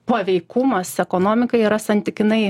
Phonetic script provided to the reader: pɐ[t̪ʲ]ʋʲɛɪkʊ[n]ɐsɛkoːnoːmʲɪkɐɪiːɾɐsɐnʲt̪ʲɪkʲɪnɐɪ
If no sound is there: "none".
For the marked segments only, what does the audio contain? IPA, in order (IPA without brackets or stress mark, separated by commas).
none, m